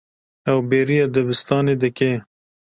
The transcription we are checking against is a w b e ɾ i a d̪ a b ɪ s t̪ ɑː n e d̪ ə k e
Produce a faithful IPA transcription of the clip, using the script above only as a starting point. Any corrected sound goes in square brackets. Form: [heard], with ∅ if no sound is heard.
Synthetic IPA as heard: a w b e ɾ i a d̪ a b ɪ s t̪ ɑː n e d̪ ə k e